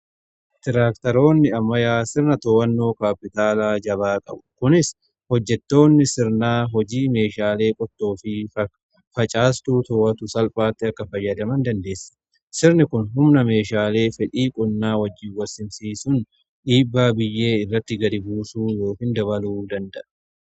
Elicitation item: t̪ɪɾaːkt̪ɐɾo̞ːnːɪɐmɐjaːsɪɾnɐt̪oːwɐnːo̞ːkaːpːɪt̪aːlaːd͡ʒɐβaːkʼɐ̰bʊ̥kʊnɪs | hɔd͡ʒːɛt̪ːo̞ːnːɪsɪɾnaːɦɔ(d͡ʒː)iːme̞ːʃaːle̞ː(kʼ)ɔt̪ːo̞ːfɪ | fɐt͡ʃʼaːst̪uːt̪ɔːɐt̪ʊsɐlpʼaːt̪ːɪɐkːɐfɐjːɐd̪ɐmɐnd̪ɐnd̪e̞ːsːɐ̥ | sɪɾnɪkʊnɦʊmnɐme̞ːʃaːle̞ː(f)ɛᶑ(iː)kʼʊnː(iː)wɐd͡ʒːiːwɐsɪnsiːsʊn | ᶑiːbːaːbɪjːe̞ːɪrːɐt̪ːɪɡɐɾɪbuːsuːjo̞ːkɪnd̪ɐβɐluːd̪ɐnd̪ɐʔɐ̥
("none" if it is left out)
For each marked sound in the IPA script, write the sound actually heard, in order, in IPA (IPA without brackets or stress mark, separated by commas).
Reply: d͡ʒ, kʼ, f, iː, aː